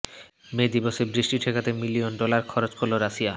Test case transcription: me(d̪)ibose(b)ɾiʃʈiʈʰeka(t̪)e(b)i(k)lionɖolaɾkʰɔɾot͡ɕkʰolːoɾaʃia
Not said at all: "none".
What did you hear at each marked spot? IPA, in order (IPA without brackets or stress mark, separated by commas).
d̪, b, t̪, m, none